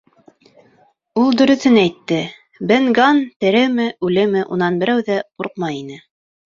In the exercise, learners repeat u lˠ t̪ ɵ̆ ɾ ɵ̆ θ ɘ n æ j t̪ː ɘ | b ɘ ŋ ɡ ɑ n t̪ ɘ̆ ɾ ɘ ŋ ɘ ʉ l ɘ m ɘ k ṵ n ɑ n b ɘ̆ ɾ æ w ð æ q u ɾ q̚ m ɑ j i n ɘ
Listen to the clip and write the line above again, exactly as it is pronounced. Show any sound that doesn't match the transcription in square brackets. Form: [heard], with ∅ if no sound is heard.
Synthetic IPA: u lˠ [d̪] ɵ̆ ɾ ɵ̆ θ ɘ n æ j t̪ː ɘ | b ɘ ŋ ɡ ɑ n t̪ ɘ̆ ɾ ɘ [m] ɘ ʉ l ɘ m ɘ [ʔ] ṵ n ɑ n b ɘ̆ ɾ æ w ð æ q u ɾ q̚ m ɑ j i n ɘ